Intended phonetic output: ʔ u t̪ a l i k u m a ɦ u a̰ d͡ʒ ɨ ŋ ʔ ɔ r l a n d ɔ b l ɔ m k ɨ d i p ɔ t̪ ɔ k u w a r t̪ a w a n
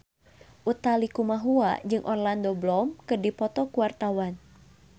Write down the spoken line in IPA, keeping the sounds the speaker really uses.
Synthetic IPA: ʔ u t̪ a l i k u m a ɦ u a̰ d͡ʒ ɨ ŋ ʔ ɔ r l a n d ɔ b l ɔ m k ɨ d i p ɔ t̪ ɔ k u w a r t̪ a w a n